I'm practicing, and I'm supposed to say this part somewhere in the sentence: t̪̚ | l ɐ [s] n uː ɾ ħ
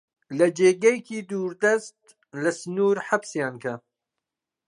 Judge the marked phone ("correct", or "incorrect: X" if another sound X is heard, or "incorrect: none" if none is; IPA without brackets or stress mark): correct